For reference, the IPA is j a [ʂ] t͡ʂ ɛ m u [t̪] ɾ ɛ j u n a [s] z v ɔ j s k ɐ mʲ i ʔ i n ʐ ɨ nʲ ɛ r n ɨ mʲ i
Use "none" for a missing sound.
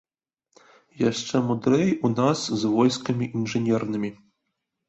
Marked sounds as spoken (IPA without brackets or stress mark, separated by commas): ʂ, d̪, s